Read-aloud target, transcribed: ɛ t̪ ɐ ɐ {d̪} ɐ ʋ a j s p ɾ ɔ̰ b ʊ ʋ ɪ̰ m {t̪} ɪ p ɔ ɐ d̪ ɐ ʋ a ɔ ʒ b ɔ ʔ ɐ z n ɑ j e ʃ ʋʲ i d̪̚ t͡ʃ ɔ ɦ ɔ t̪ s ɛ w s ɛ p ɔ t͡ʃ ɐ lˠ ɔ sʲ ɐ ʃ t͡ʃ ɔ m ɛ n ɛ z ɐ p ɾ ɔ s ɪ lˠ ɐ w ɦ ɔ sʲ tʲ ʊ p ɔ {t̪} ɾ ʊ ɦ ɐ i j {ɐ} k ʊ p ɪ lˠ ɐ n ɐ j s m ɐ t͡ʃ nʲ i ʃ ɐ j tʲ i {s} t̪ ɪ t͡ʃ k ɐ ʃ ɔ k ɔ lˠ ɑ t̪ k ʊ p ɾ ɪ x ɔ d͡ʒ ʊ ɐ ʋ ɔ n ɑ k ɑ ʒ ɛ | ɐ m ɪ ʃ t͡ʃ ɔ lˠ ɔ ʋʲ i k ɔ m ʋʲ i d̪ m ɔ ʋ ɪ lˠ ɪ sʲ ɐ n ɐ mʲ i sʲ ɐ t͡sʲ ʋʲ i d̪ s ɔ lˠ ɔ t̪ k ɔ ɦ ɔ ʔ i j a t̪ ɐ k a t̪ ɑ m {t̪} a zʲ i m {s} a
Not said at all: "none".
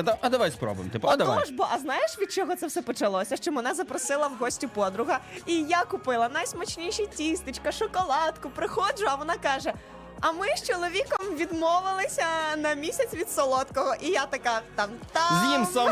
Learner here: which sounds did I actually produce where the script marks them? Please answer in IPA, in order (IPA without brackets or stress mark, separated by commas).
d̪, t̪, d̪, a, s, t̪, s